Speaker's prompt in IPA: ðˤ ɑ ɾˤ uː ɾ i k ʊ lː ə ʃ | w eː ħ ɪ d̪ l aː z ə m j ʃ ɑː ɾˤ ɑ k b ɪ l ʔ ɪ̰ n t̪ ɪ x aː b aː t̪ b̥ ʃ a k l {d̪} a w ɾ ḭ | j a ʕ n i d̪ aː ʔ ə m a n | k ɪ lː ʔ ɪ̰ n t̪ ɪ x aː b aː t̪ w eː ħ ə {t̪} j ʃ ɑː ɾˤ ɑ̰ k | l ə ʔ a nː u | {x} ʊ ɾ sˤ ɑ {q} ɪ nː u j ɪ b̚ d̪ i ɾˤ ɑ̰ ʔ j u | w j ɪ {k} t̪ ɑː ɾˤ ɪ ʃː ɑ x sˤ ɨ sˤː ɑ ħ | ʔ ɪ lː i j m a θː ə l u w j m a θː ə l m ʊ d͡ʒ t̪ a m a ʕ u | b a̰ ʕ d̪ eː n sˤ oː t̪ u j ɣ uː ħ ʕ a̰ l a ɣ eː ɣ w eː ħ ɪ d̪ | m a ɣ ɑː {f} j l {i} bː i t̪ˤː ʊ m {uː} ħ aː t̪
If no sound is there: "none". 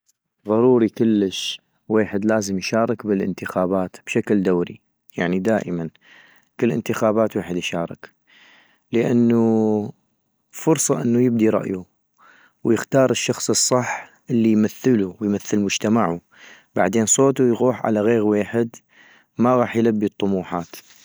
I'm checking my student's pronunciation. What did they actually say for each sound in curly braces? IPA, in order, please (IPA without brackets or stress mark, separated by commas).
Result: d̪, d̪, f, ʔ, x, ħ, a, uː